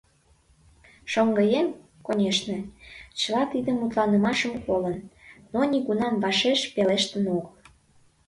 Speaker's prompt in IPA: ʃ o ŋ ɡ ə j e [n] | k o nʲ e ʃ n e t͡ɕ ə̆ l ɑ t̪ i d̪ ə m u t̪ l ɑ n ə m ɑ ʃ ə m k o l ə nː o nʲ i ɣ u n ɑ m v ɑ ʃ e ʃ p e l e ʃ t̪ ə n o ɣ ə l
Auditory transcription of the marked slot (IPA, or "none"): m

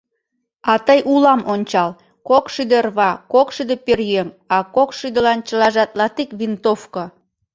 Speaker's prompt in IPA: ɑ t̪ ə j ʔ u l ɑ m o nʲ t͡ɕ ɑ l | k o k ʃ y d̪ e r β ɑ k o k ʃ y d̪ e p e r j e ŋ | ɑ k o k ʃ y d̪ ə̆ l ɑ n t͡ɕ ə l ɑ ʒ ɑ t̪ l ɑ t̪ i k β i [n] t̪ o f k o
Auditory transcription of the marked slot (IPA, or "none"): n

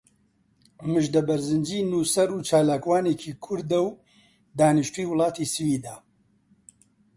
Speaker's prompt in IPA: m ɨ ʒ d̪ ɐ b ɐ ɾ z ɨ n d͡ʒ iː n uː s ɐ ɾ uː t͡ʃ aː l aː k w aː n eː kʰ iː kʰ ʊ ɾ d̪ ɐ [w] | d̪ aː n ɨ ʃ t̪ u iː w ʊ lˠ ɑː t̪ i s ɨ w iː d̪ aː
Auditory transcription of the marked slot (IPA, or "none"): w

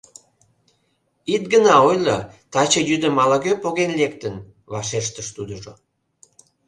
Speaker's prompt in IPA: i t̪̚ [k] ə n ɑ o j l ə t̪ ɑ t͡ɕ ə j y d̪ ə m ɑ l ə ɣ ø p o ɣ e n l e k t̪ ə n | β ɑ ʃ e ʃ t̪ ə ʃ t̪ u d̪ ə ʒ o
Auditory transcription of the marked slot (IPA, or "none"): ɡ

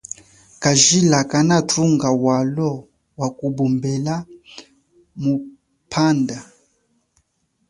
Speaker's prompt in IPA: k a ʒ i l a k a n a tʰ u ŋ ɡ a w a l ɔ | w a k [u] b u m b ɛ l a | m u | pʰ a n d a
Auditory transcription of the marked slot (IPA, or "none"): u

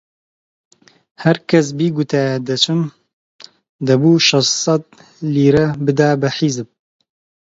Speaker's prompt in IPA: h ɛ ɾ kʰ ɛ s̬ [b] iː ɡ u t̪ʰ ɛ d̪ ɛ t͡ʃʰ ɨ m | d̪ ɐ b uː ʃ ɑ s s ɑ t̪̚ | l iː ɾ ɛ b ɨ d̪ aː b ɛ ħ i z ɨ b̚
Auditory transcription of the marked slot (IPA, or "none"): b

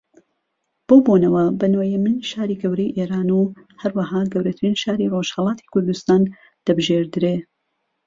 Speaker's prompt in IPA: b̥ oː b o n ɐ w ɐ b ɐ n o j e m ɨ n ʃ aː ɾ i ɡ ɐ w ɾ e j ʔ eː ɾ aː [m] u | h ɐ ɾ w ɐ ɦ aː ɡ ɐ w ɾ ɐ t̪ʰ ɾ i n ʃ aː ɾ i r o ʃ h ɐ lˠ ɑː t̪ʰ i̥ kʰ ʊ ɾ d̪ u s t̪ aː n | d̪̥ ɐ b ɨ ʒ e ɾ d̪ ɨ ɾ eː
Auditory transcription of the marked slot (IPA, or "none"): n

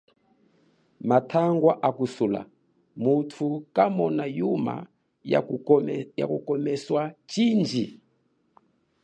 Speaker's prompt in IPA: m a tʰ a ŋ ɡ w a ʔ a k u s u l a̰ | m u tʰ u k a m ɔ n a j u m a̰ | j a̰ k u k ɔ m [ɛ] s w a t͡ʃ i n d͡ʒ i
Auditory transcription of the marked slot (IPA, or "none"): ɛ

